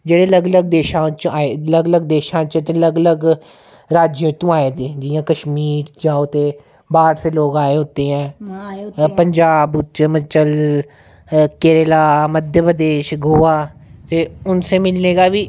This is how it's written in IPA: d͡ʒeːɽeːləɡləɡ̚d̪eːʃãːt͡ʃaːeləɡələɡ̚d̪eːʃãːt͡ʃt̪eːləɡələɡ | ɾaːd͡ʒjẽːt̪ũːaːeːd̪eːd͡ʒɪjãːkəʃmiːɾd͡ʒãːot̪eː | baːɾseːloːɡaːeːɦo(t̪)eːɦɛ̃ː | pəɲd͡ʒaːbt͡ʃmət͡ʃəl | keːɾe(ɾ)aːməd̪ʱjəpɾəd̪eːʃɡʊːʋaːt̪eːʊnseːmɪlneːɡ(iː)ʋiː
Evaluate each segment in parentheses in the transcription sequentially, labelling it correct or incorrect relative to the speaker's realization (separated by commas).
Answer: correct, incorrect, incorrect